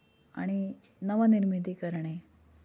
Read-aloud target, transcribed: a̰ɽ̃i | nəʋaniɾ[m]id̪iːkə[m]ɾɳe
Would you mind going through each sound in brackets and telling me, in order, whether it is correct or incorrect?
correct, incorrect: none

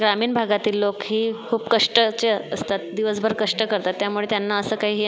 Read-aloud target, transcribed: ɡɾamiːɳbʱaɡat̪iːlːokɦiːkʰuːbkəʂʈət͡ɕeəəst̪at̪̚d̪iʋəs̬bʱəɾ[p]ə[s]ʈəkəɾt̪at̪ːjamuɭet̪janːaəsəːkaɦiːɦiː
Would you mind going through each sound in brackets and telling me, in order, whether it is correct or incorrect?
incorrect: k, incorrect: ʂ

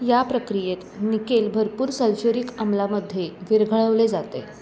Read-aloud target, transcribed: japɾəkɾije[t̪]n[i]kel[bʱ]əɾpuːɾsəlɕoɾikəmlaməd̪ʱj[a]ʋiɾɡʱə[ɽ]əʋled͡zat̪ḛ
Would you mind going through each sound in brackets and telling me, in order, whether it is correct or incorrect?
correct, correct, correct, incorrect: e, incorrect: ɭ

